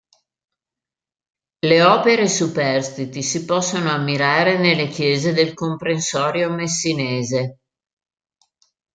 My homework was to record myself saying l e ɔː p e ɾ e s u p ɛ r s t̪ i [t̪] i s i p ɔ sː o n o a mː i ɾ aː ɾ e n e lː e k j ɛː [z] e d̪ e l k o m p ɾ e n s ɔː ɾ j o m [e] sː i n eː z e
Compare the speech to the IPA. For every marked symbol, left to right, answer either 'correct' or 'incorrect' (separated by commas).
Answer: correct, correct, correct